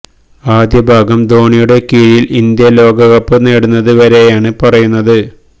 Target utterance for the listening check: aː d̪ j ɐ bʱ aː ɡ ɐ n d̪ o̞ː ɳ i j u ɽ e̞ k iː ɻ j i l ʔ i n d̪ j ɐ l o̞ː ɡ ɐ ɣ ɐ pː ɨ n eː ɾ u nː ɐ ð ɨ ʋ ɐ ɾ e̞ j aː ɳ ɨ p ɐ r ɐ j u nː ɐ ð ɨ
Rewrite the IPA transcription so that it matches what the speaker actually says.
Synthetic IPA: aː d̪ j ɐ bʱ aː ɡ ɐ m d̪ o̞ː ɳ i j u ɽ e̞ k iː ɻ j i l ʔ i n d̪ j ɐ l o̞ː ɡ ɐ ɣ ɐ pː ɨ n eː ɽ u nː ɐ ð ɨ ʋ ɐ ɾ e̞ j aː ɳ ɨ p ɐ r ɐ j u nː ɐ ð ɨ